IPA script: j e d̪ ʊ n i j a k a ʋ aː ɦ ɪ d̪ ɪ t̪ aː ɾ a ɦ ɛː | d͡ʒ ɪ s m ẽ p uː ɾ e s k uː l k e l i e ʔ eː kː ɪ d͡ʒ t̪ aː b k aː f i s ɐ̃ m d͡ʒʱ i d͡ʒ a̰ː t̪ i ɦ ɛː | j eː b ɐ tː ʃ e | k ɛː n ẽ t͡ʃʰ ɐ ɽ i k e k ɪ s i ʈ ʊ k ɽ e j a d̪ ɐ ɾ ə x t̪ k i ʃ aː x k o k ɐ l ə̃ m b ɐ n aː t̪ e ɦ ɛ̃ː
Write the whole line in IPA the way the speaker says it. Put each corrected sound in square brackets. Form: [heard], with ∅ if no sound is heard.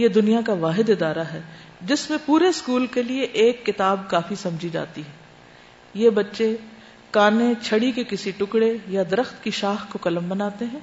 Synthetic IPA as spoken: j e d̪ ʊ n i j a k a ʋ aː ɦ ɪ d̪ ɪ [d̪] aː ɾ a ɦ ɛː | d͡ʒ ɪ s m ẽ p uː ɾ e s k uː l k e l i e ʔ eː kː ɪ [∅] t̪ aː b k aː f i s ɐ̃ m d͡ʒʱ i d͡ʒ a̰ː t̪ i ɦ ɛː | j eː b ɐ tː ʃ e | k [aː] n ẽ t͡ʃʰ ɐ ɽ i k e k ɪ s i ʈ ʊ k ɽ e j a d̪ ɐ ɾ ə x t̪ k i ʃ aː x k o k ɐ l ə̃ m b ɐ n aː t̪ e ɦ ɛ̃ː